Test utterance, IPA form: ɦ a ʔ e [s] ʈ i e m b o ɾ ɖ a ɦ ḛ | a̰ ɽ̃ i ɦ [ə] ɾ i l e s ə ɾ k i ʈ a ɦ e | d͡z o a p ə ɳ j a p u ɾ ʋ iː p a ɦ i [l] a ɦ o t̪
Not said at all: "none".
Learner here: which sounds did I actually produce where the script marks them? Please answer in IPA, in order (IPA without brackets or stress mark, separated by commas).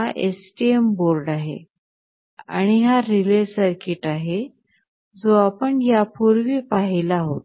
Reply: s, a, l